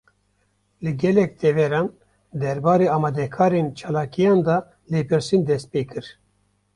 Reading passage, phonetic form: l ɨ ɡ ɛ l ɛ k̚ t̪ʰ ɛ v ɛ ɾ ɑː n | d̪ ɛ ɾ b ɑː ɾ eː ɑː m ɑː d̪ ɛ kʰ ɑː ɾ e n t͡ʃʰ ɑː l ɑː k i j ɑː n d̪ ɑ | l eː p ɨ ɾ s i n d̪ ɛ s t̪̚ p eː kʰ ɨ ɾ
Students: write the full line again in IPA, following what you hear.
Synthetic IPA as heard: l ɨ ɡ ɛ l ɛ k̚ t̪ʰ ɛ v ɛ ɾ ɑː n | d̪ ɛ ɾ b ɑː ɾ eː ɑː m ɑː d̪ ɛ kʰ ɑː ɾ e n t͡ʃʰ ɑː l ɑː k i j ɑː n d̪ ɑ | l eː p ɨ ɾ s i n d̪ ɛ s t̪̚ p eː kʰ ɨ ɾ